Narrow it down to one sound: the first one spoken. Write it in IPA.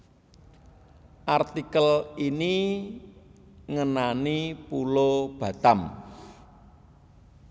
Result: ʔ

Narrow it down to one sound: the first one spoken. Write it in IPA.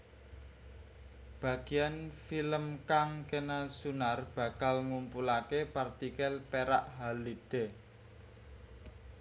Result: b̥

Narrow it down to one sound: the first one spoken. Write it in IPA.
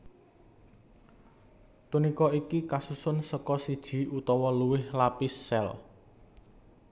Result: t̪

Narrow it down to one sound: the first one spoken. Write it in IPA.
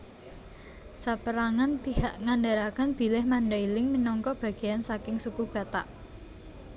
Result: s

